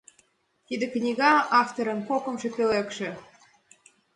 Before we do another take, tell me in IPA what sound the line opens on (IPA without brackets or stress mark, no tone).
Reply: t̪